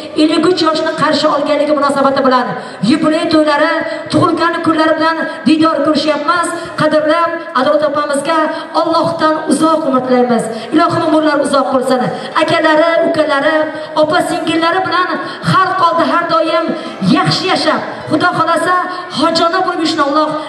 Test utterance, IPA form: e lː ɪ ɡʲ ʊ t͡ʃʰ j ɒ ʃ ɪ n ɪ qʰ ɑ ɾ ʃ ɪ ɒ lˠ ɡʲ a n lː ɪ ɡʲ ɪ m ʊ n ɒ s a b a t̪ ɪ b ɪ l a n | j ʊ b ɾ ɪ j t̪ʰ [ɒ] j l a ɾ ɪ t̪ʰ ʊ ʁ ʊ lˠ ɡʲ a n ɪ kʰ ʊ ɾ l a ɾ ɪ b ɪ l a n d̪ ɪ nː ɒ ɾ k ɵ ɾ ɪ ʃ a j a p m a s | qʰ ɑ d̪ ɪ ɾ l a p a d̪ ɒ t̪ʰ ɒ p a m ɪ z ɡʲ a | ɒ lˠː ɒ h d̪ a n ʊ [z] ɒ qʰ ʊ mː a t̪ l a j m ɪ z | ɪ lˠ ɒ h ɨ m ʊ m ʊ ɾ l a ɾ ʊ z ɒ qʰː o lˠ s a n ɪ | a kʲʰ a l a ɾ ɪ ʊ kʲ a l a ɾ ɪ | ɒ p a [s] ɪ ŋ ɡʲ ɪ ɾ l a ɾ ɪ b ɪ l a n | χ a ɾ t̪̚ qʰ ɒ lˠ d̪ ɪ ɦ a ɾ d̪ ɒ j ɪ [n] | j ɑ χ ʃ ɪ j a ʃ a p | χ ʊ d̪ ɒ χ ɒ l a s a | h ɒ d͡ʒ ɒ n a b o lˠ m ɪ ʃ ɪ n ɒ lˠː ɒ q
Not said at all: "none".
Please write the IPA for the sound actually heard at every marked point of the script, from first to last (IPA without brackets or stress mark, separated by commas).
o, z, s, m